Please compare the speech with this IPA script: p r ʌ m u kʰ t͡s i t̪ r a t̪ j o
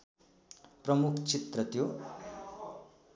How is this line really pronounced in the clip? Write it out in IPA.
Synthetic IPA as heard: p r ʌ m u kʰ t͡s i t̪ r ʌ t̪ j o